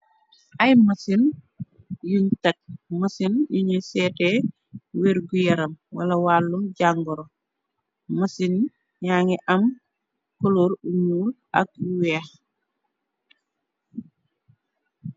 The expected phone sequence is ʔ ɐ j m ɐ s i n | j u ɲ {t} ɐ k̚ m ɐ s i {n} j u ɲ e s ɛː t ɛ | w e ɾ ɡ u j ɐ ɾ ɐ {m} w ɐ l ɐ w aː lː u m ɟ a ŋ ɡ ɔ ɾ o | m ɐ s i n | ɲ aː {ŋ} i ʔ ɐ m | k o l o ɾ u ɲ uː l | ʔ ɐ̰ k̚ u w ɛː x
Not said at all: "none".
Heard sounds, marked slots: t, n, m, ŋ

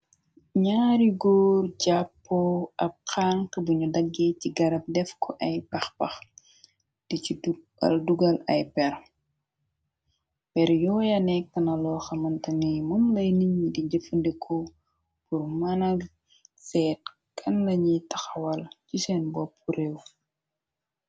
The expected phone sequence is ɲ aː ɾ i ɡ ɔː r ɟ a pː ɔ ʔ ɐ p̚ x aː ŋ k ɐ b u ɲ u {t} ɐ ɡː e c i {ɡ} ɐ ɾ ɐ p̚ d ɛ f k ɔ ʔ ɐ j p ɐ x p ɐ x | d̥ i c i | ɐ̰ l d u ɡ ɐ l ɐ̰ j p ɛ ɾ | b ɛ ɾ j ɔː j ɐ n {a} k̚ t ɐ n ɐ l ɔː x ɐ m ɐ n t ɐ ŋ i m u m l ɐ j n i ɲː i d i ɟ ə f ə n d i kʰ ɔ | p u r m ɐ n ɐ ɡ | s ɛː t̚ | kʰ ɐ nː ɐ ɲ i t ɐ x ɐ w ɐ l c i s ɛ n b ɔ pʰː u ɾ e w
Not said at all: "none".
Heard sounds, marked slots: d, ɡ, ɛ

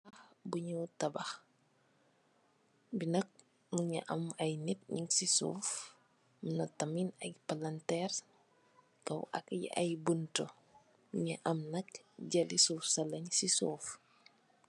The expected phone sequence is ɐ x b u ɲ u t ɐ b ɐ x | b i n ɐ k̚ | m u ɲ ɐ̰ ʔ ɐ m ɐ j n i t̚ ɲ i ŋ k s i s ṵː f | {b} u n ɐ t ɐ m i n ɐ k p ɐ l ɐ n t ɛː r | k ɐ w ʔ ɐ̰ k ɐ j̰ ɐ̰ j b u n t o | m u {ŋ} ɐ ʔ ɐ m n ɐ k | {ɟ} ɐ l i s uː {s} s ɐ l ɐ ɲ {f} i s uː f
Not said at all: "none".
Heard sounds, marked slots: m, ɲ, ɟ, f, s

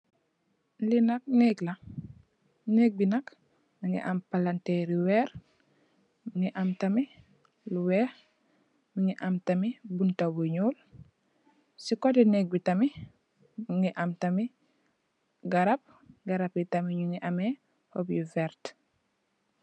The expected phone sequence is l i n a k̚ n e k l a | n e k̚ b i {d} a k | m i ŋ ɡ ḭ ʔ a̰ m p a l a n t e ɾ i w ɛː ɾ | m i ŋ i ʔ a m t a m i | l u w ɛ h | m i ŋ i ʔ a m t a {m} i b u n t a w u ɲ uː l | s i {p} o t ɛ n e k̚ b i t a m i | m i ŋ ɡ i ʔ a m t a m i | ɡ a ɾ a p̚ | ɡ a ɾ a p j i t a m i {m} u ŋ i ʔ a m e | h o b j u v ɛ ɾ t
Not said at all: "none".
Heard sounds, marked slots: n, m, k, ɲ

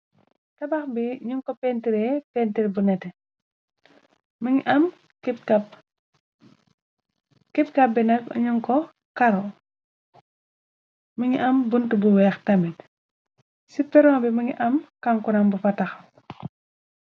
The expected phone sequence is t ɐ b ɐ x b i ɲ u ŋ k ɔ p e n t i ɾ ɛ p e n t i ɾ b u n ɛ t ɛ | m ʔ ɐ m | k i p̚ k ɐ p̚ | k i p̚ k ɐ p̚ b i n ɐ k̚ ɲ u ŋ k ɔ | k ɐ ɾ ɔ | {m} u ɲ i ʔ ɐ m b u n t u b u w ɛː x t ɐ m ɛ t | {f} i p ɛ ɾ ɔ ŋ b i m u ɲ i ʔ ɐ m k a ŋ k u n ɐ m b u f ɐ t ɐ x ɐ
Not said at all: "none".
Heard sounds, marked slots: m, s

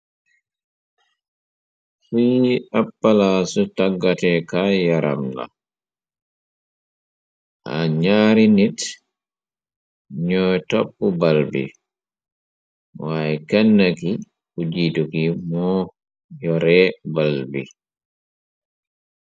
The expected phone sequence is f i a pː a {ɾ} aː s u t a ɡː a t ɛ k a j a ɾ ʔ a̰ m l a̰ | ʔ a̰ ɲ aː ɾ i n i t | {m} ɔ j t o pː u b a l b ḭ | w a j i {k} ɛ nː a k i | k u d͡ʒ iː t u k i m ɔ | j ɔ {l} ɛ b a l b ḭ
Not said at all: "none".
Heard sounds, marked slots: l, ɲ, k, ɾ

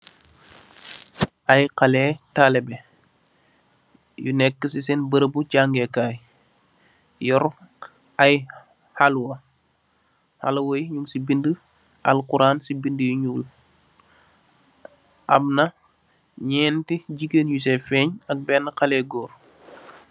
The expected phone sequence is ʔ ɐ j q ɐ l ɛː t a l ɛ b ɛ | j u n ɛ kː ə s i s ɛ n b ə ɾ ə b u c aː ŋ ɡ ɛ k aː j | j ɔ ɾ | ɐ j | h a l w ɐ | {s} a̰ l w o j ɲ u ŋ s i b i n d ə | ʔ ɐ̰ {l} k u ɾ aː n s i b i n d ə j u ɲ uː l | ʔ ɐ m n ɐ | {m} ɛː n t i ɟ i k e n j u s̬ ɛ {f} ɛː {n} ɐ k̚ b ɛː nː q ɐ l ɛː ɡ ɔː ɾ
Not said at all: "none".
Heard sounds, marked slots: h, l, ɲ, f, ɲ

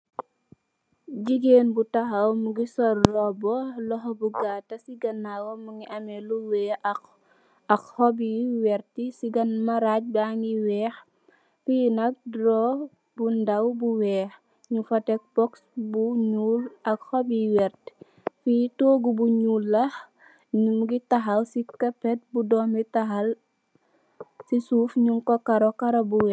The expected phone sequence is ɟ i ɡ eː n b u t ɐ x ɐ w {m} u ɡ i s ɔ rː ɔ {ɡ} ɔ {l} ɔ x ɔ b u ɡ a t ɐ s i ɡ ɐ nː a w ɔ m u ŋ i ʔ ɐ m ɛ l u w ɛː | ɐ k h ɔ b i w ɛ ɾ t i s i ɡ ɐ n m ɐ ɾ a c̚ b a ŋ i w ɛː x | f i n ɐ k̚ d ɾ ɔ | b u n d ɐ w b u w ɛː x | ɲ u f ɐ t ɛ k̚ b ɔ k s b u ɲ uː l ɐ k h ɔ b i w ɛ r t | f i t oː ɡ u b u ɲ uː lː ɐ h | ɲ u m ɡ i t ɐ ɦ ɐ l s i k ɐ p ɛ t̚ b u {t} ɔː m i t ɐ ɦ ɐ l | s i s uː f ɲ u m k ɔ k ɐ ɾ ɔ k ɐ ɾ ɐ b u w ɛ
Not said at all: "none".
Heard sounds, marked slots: m, b, l, d

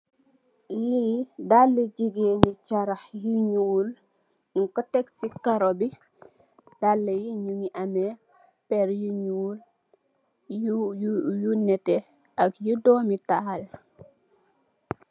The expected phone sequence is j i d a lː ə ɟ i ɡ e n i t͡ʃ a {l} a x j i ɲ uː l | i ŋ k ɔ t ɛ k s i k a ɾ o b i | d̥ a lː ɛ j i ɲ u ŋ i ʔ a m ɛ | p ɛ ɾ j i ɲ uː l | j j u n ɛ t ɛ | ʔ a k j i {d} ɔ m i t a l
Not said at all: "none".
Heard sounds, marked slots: ɾ, d

